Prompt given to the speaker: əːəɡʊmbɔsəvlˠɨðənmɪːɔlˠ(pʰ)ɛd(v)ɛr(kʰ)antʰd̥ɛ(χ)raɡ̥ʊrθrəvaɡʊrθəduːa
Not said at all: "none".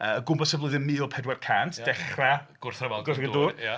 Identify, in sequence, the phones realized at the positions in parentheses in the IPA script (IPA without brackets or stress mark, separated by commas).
pʰ, w, kʰ, χ